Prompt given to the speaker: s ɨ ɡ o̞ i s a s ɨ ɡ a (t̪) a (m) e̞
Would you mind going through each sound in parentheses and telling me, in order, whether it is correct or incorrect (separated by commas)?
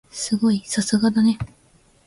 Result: incorrect, incorrect